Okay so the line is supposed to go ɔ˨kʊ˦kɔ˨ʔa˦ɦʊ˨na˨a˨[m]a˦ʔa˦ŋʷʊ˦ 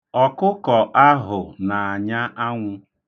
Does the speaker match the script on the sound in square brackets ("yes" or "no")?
no